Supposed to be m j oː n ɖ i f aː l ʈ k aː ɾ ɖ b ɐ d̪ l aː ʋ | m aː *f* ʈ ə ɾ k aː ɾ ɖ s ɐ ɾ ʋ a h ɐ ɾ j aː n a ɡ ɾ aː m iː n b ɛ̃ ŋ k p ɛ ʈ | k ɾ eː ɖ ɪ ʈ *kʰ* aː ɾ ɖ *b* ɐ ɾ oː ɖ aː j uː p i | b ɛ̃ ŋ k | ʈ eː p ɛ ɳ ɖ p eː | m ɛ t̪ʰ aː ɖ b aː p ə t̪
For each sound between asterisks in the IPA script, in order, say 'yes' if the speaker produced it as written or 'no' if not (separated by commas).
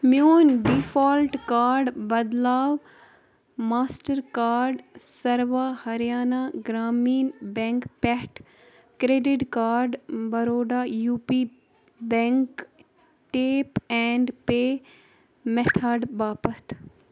no, no, yes